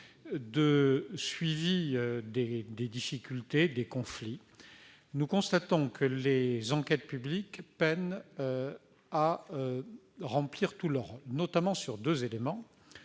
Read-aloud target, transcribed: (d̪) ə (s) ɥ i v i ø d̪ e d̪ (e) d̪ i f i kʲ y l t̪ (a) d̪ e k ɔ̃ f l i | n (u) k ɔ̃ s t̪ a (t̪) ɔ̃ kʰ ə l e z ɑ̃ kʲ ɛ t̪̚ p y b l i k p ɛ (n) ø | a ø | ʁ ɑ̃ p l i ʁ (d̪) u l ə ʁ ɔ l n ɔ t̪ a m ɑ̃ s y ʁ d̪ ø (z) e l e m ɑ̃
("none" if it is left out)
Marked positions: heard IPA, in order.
d̪, s, e, e, u, t̪, n, t̪, z

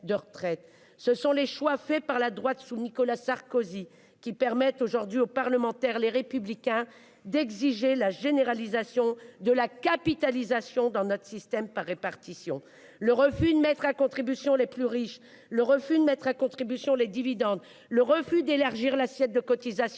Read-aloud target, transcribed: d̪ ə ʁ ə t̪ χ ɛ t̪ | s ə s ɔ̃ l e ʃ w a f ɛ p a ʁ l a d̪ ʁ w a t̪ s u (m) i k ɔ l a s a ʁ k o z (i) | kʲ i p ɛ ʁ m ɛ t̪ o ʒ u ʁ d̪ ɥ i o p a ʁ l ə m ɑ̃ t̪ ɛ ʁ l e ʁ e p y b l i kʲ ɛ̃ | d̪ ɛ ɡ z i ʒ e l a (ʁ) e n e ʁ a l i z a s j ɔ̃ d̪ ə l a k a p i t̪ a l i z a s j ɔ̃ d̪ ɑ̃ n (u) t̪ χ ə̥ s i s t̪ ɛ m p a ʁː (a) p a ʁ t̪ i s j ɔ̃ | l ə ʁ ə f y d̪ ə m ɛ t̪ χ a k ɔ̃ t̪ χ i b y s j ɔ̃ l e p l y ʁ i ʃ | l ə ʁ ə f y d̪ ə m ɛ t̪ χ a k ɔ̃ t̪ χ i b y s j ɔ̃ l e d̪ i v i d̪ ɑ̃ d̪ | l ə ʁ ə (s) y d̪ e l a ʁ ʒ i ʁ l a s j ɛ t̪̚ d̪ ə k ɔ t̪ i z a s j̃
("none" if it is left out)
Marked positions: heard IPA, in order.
n, i, ʒ, ɔ, e, f

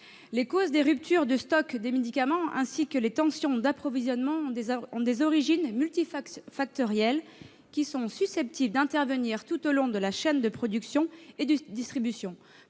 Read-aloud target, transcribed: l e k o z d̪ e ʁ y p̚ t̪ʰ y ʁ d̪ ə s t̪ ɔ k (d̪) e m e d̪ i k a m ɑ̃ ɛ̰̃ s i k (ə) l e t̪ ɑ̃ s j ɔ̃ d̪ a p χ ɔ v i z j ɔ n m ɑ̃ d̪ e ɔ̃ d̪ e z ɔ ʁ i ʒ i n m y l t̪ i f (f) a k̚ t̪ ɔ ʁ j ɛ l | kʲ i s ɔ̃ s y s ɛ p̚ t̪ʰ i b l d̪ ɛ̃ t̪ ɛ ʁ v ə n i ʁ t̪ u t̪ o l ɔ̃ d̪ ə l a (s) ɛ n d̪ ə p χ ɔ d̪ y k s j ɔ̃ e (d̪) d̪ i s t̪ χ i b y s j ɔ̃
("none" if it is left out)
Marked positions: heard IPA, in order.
d̪, ə, f, ʃ, d̪

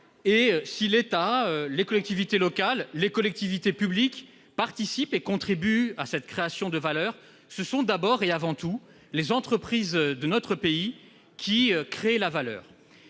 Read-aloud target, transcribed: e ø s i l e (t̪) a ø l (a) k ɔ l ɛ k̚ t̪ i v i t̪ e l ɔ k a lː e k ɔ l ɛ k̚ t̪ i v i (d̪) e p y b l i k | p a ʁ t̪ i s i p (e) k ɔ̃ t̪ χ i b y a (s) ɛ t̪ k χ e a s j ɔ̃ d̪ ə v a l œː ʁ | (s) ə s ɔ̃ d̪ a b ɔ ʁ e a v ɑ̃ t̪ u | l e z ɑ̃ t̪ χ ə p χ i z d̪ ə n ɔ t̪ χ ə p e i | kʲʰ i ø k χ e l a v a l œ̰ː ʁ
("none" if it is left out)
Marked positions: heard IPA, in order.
t̪, e, t̪, e, s, s

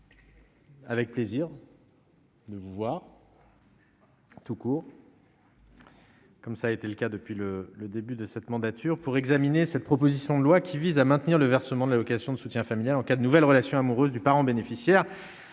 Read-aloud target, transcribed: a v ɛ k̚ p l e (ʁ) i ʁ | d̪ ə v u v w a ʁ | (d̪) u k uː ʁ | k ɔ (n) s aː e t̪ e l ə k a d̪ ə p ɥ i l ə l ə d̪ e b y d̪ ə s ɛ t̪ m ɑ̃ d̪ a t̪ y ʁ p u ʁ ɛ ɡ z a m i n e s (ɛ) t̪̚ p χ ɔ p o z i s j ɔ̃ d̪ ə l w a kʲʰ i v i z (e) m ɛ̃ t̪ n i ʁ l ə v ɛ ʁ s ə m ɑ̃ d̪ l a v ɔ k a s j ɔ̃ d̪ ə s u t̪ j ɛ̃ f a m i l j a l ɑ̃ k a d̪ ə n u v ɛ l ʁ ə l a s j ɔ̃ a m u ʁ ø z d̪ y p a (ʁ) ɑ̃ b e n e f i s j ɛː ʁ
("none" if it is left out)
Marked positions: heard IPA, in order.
z, t̪, m, ɛ, a, ʁ

